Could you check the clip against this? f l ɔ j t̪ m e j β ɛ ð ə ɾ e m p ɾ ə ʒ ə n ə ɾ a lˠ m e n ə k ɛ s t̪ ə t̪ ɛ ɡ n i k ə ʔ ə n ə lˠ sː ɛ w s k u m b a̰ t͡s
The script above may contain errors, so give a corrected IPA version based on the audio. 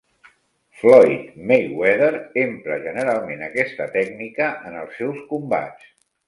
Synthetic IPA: f l ɔ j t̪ m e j w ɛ ð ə ɾ e m p ɾ ə ʒ ə n ə ɾ a lˠ m e n ə k ɛ s t̪ ə t̪ ɛ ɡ n i k ə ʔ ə n ə lˠ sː ɛ w s k u m b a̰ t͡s